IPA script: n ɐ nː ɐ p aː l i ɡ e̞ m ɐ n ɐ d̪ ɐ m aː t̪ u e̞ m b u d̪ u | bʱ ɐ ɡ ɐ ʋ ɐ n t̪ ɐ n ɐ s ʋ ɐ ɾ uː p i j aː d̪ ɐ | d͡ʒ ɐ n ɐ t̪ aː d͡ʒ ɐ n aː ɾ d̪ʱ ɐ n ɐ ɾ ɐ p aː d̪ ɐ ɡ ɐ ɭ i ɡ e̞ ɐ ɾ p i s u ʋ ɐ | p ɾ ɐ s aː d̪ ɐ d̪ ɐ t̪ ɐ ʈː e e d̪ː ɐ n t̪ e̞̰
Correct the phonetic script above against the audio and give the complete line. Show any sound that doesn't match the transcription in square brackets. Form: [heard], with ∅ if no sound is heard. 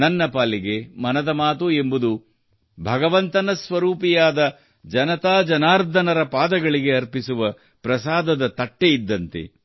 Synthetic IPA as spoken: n ɐ nː ɐ p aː l i ɡ e̞ m ɐ n ɐ d̪ ɐ m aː t̪ u e̞ m b u d̪ u | bʱ ɐ ɡ ɐ ʋ ɐ n t̪ ɐ n ɐ s ʋ ɐ ɾ uː p i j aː d̪ ɐ | d͡ʒ ɐ n ɐ t̪ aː d͡ʒ ɐ n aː ɾ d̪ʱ ɐ n ɐ ɾ ɐ p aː d̪ ɐ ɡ ɐ ɭ i ɡ e̞ ɐ ɾ p i s u ʋ ɐ | p ɾ ɐ s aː d̪ ɐ d̪ ɐ t̪ ɐ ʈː e [i] d̪ː ɐ n t̪ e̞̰